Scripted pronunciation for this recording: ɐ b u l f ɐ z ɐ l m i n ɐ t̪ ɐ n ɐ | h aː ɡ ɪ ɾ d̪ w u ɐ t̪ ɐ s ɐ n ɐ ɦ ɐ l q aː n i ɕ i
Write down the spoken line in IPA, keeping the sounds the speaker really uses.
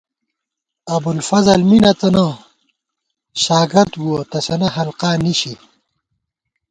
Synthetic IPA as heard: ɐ b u l f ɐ z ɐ l m i n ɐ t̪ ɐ n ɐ | ɕ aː ɡ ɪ ɾ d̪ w u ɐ t̪ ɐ s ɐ n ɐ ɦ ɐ l q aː n i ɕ i